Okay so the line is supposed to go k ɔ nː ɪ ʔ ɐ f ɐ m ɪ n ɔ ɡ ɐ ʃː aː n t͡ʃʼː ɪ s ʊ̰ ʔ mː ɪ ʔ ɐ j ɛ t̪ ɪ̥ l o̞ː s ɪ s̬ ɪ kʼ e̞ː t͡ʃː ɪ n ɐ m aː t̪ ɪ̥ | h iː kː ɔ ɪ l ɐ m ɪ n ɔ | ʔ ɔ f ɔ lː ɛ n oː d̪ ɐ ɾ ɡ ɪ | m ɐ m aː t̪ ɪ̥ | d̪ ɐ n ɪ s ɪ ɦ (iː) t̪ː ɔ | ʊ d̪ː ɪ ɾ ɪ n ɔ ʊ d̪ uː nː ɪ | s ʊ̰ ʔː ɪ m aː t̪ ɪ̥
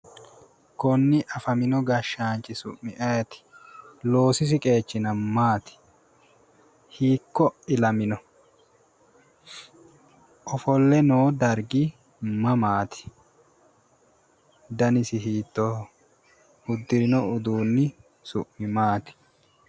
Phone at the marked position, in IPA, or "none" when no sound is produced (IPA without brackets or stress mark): iː